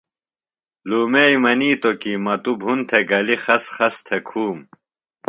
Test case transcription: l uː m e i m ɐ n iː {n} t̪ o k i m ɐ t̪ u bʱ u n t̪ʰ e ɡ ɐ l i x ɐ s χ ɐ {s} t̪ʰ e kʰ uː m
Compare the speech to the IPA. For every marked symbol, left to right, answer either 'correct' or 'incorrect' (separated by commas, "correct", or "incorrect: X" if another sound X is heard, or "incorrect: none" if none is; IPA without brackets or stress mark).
incorrect: none, correct